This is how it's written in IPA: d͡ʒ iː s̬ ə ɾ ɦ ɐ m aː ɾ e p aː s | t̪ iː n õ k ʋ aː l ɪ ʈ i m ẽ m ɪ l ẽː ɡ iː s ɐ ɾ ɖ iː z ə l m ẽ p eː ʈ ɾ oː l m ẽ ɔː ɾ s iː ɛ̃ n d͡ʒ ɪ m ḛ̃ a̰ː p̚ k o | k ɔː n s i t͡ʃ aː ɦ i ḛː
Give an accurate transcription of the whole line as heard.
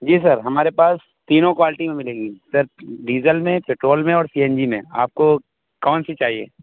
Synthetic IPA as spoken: d͡ʒ iː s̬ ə ɾ ɦ ɐ m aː ɾ e p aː s | t̪ iː n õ k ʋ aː l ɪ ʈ i m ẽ m ɪ l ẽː ɡ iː s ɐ ɾ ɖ iː z ə l m ẽ p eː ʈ ɾ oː l m ẽ ɔː ɾ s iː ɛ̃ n d͡ʒ i m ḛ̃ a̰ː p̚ k o | k ɔː n s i t͡ʃ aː ɦ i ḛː